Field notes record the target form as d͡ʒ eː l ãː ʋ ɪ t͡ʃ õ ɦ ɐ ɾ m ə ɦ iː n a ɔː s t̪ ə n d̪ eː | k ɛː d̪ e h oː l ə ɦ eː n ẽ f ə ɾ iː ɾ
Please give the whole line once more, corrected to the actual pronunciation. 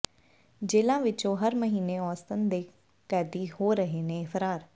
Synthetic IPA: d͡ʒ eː l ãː ʋ ɪ t͡ʃ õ ɦ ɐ ɾ m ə ɦ iː n e ɔː s t̪ ə n d̪ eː | k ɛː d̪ i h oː ɾ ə ɦ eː n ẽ f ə ɾ aː ɾ

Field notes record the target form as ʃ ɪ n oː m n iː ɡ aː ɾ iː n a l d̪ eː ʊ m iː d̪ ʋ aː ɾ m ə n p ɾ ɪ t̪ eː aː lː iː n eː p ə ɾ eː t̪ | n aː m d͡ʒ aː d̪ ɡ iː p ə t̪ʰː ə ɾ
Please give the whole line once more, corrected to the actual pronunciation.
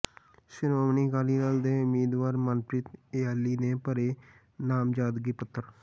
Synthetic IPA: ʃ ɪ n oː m n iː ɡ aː l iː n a l d̪ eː ʊ m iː d̪ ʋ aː ɾ m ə n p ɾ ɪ t̪ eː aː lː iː n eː p ə ɾ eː | n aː m d͡ʒ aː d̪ ɡ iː p ə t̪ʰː ə ɾ

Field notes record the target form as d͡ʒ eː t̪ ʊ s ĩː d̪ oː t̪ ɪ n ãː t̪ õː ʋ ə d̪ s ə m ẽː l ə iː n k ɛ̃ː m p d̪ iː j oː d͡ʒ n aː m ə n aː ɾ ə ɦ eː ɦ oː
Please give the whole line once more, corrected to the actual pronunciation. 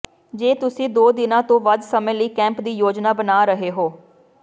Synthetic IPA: d͡ʒ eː t̪ ʊ s ĩː d̪ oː d̪ ɪ n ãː t̪ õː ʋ ə d̪ s ə m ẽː l ə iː k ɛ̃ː m p d̪ iː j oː d͡ʒ n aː b ə n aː ɾ ə ɦ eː ɦ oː

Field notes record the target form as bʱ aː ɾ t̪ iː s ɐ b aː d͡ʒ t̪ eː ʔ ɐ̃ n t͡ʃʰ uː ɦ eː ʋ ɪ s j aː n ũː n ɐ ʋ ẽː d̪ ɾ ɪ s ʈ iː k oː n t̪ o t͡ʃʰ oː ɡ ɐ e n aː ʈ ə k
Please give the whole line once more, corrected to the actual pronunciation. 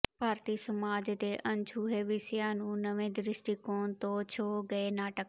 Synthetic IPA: bʱ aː ɾ t̪ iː s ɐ m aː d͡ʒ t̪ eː ʔ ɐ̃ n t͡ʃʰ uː ɦ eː ʋ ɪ s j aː n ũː n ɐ ʋ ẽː d̪ ɾ ɪ s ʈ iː k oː n t̪ o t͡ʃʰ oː ɡ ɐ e n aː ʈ ə k

